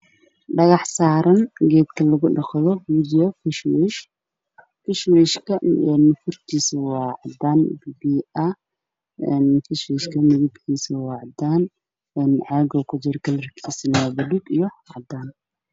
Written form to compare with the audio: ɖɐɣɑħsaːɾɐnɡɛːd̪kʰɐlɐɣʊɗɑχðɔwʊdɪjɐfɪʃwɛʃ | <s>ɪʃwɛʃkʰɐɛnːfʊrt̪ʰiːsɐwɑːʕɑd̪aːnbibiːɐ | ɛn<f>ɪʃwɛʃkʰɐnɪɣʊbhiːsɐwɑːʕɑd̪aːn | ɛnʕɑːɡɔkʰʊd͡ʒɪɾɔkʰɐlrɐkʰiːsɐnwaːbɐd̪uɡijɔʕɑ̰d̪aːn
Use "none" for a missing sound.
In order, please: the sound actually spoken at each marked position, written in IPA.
f, f

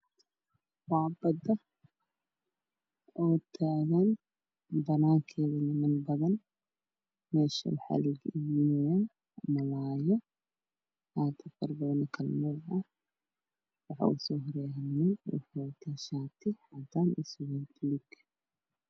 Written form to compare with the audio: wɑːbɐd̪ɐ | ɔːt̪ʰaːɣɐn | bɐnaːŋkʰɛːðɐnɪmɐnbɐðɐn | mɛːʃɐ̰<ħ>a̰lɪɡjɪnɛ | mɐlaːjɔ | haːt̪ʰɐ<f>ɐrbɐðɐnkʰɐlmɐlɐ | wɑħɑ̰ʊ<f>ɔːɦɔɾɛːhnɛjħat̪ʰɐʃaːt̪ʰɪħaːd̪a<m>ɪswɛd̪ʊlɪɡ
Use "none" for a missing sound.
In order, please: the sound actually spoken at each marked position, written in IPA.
ħ, f, s, n

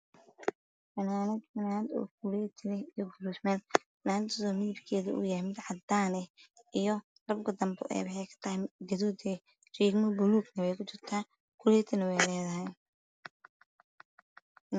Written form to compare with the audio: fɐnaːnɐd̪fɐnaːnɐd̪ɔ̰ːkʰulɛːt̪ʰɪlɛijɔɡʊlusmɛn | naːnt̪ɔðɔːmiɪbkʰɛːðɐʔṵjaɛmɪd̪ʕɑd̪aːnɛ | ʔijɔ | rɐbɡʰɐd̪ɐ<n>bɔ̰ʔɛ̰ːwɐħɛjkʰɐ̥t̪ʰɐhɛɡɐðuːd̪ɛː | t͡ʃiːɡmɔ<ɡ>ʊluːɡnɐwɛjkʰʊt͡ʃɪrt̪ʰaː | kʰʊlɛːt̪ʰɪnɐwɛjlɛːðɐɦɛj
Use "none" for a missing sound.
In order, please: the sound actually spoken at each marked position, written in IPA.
m, b

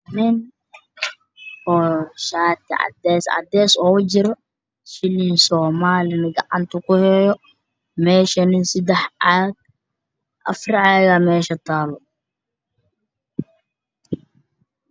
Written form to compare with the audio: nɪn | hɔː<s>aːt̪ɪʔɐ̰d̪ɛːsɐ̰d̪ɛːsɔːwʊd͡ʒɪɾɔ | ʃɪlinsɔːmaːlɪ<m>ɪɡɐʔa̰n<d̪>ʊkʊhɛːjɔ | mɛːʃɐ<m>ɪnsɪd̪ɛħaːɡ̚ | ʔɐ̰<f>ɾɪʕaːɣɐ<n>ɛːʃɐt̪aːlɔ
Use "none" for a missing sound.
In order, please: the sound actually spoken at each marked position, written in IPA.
ʃ, n, t̪, n, f, m

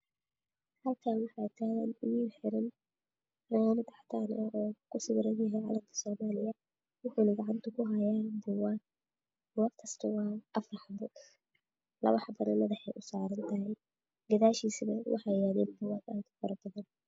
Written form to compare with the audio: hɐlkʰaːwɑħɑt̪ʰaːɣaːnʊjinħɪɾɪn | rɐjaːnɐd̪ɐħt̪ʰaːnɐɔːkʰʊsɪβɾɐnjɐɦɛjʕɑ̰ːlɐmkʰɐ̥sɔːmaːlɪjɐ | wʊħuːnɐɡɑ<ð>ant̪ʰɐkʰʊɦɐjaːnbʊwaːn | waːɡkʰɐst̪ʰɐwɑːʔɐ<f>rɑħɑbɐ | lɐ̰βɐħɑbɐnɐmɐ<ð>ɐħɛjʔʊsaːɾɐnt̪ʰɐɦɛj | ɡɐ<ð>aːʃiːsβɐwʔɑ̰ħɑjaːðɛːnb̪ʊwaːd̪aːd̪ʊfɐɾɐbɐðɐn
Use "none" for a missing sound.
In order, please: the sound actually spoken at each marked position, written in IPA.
ʕ, f, ð, ð

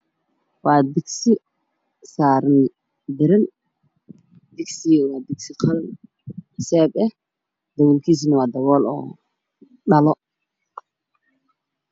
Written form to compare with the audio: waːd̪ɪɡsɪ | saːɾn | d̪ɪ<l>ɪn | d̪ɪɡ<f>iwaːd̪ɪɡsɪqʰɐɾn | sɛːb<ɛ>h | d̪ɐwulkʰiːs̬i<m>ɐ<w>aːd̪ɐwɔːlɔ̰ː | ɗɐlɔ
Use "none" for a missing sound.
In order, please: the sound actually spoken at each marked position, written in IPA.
ɾ, s, ɛ, n, w

